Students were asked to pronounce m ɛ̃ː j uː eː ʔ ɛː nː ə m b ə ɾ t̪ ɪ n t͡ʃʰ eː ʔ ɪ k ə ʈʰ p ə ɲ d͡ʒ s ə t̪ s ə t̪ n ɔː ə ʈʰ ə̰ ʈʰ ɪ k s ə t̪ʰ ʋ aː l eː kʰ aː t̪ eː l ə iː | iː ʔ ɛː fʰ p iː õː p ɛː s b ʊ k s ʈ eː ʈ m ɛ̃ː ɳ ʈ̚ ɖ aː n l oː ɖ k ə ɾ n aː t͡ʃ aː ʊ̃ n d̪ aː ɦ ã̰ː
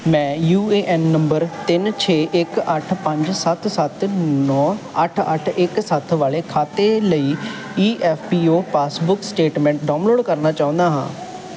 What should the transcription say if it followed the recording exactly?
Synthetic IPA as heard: m ɛ̃ː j uː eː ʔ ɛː nː ə m b ə ɾ t̪ ɪ n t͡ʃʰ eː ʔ ɪ k ə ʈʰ p ə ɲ d͡ʒ s ə t̪ s ə t̪ n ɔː ə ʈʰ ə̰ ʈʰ ɪ k s ə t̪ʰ ʋ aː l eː kʰ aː t̪ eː l ə iː | iː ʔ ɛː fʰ p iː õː p aː s b ʊ k s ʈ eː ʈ m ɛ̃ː ɳ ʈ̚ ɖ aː n l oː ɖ k ə ɾ n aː t͡ʃ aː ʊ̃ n d̪ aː ɦ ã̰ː